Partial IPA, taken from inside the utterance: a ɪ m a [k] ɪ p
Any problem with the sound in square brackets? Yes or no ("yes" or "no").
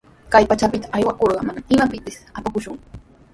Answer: yes